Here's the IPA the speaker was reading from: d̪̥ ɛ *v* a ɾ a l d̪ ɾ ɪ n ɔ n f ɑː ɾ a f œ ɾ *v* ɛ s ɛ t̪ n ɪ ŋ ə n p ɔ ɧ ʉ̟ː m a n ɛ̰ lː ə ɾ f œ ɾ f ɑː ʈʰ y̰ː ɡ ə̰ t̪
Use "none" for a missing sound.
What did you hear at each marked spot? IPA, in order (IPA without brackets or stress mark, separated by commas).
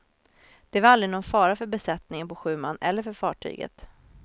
v, b